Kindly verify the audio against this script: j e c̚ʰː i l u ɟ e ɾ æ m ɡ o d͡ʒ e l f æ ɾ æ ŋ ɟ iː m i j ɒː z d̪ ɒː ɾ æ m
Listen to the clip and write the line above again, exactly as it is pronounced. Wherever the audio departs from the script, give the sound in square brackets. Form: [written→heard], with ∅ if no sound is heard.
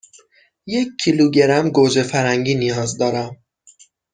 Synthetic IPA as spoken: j e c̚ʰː i l u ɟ e ɾ æ m ɡ o d͡ʒ e [l→∅] f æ ɾ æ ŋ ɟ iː [m→n] i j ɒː z d̪ ɒː ɾ æ m